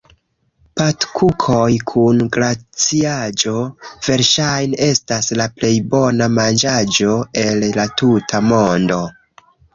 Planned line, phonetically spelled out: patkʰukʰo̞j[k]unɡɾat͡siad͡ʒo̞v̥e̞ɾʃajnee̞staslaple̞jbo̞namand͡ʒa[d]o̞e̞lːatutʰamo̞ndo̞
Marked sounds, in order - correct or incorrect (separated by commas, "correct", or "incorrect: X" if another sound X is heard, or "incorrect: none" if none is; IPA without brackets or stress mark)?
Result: incorrect: kʰ, incorrect: d͡ʒ